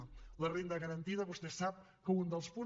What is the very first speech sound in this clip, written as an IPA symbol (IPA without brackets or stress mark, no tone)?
l